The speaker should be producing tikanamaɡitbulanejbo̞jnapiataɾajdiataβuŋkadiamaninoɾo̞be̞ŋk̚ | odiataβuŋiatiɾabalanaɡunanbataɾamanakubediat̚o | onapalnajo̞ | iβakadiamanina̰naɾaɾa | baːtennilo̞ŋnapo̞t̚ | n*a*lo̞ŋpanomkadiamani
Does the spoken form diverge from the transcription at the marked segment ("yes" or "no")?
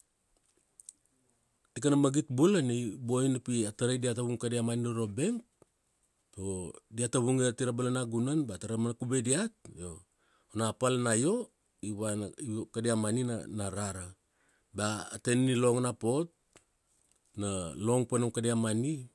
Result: no